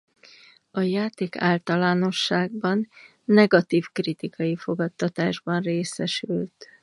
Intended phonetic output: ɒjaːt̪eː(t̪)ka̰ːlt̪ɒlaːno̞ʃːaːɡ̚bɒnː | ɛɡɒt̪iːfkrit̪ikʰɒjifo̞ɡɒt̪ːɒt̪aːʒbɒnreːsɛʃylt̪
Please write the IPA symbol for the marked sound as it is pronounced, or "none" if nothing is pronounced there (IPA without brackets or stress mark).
none